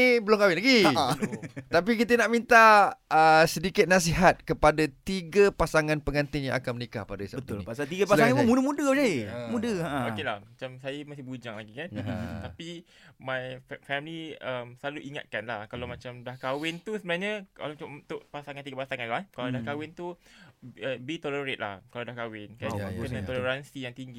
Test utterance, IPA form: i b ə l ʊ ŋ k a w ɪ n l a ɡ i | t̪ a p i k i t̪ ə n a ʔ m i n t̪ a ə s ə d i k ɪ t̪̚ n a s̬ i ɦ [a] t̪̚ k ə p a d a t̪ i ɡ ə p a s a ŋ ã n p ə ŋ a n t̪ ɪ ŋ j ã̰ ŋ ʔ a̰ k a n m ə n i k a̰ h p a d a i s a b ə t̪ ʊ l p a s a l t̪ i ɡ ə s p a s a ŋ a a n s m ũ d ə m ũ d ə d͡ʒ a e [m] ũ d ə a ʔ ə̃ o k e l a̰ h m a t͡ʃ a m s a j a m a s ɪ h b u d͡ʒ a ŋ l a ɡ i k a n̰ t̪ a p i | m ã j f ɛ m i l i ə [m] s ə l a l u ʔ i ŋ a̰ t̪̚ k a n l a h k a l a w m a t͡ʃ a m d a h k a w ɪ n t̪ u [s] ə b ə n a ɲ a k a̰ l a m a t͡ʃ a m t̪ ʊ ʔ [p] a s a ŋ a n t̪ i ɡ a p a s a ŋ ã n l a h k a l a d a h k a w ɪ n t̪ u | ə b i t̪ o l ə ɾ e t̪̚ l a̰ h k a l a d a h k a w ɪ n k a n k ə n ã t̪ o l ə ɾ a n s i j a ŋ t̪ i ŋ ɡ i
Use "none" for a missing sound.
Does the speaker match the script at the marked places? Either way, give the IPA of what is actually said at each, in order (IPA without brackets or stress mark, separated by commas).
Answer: a, m, m, s, p